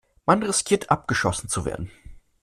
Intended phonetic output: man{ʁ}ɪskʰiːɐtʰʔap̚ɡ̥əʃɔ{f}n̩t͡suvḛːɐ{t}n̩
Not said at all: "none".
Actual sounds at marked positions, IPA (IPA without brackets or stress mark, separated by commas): ʁ, s, d